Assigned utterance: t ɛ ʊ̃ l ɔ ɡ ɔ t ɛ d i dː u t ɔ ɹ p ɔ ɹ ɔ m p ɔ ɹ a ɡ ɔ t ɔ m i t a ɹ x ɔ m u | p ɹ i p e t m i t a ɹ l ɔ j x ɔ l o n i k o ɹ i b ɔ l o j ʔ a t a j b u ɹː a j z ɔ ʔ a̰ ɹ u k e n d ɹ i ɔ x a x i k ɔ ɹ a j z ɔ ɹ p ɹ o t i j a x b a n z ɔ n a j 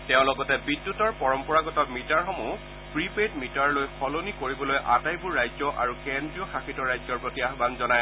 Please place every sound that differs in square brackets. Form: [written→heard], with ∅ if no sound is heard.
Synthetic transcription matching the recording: t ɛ ʊ̃ l ɔ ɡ ɔ t ɛ [d→b] i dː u t ɔ ɹ p ɔ ɹ ɔ m p ɔ ɹ a ɡ ɔ t ɔ m i t a ɹ x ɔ m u | p ɹ i p e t m i t a ɹ l [ɔ→o] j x ɔ l o n i k o ɹ i b ɔ l o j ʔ a t a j b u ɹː a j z ɔ ʔ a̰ ɹ u k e n d ɹ i ɔ x a x i [k→t] ɔ ɹ a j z ɔ ɹ p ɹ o t i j a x b a n z ɔ n a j